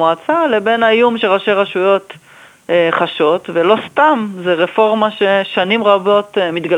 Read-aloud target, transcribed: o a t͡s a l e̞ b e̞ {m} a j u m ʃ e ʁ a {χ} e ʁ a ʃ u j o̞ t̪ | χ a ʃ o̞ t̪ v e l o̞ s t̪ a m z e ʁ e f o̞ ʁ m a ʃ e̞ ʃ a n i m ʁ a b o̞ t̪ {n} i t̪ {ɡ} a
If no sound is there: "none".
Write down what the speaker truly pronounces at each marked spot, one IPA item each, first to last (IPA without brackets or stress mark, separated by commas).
n, ʃ, m, ɡ